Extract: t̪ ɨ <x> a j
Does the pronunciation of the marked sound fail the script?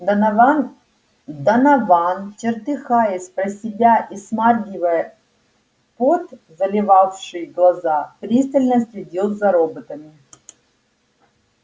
no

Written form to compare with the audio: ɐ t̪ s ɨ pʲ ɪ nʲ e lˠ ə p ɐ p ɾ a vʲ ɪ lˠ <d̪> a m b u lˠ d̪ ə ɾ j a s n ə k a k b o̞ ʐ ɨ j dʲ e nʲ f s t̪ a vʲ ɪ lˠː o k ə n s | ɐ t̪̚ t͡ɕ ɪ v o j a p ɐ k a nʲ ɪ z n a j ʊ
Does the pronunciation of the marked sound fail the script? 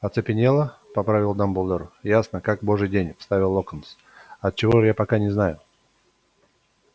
no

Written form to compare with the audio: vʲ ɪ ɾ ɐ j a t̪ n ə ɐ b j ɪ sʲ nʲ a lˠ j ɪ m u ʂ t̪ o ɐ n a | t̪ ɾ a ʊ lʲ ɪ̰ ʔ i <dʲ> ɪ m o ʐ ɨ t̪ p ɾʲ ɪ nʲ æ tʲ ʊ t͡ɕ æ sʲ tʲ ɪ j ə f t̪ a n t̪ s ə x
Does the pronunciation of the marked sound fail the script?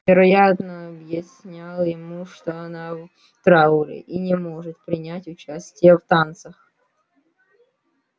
yes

